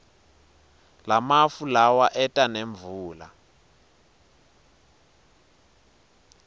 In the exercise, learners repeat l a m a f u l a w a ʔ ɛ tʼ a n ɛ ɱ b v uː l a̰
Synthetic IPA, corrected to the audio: l a m a f u l a w a ʔ ɛ tʼ a n e ɱ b v uː l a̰